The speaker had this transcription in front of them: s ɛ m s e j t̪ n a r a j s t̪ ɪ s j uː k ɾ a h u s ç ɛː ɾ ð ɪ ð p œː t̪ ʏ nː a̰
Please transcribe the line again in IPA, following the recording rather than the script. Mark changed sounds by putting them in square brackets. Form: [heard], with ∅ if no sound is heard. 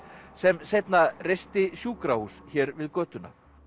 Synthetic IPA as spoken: s ɛ m s e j t̪ n a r [e] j s t̪ ɪ s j uː k ɾ a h u s ç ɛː ɾ [v] ɪ ð [k] œː t̪ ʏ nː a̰